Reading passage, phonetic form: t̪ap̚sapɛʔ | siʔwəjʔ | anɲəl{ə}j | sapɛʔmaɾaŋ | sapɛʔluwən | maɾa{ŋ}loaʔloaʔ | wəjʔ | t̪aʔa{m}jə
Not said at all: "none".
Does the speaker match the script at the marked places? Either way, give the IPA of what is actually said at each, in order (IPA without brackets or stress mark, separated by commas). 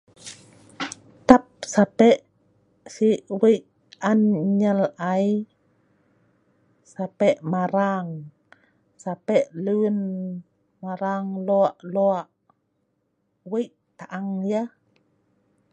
a, ŋ, ŋ